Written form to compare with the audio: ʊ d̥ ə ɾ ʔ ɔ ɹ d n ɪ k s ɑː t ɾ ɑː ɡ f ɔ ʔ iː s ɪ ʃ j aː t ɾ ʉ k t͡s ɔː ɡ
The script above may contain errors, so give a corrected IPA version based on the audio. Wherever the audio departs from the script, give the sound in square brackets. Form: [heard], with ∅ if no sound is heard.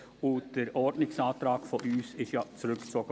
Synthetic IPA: ʊ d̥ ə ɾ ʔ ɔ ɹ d n ɪ k s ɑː t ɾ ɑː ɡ f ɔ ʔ [yː] s ɪ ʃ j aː [t͡s] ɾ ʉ k t͡s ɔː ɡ

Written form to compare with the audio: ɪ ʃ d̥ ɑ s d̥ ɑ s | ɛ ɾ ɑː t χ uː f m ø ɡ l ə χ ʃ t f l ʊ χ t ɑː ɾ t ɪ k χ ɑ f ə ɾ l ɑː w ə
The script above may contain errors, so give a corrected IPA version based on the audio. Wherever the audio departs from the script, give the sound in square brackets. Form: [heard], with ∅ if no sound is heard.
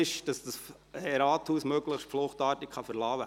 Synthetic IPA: ɪ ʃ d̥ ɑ s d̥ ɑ s | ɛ ɾ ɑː t [h] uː [s] m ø ɡ l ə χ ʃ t f l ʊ χ t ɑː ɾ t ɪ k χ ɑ f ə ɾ l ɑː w ə

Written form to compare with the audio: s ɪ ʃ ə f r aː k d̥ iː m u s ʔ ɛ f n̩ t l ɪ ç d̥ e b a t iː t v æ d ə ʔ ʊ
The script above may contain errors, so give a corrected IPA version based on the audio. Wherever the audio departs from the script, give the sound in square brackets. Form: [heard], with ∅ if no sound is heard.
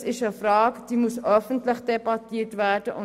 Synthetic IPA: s ɪ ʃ ə f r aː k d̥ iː m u s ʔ [œ] f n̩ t l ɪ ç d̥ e b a t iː t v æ d ə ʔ ʊ

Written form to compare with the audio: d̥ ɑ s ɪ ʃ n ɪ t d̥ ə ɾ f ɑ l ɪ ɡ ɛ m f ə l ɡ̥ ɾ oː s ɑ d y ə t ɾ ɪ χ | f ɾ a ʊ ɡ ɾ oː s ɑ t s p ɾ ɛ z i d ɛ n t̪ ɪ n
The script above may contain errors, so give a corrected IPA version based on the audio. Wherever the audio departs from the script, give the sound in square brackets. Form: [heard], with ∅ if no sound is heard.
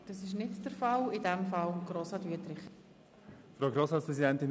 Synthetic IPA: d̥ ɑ s ɪ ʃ n ɪ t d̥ ə ɾ f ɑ l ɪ [d] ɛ m f [ɑ] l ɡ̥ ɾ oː s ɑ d y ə t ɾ ɪ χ | f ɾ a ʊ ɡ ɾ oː s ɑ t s p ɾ ɛ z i d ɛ n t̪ ɪ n

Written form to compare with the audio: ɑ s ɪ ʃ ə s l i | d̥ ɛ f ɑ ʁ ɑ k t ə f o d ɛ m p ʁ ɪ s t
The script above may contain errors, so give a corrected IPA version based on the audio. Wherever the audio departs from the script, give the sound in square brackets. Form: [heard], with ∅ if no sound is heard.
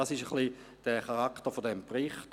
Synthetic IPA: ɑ s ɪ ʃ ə [χ] l i | d̥ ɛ [χ] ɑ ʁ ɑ k t ə f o d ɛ m p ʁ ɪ [χ] t

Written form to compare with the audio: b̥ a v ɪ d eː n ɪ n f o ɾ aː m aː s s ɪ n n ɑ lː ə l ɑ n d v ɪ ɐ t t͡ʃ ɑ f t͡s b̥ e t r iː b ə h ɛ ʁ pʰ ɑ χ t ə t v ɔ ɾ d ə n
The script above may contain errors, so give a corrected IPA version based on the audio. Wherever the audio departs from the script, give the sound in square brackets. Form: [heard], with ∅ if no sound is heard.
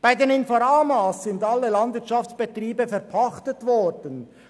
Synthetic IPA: b̥ a [∅] ɪ d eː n ɪ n f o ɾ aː m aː s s ɪ n [d] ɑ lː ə l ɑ n d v ɪ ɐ t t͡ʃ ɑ f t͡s b̥ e t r iː b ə [f] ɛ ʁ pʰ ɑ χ t ə t v ɔ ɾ d ə n

